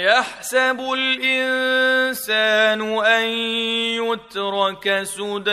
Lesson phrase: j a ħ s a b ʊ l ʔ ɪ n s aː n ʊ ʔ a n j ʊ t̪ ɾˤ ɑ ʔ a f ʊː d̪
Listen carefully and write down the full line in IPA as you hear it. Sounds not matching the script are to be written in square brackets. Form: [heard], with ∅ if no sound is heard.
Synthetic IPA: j a ħ s a b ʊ l ʔ ɪ n s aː n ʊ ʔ a n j ʊ t̪ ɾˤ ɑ [k] a [s] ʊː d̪